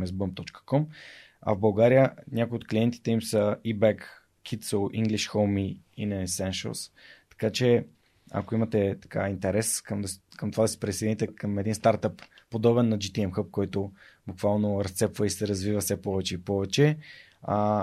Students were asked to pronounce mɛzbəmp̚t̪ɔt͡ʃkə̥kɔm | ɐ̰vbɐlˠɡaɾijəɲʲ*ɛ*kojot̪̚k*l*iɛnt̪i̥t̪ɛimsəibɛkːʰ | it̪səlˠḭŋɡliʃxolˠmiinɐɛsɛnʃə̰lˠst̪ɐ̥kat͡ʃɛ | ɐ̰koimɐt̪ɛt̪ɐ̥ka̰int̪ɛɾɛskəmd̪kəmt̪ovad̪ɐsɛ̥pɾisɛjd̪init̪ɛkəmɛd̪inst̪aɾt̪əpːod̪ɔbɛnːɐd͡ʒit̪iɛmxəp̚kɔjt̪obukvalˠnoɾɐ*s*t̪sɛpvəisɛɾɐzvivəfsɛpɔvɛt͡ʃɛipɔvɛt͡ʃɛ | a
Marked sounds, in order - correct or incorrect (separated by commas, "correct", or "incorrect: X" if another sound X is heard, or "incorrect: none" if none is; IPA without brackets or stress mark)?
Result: incorrect: a, correct, correct